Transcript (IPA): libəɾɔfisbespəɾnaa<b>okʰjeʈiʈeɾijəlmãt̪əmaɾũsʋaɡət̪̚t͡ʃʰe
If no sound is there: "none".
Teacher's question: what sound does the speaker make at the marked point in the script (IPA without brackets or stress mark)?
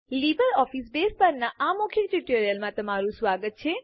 m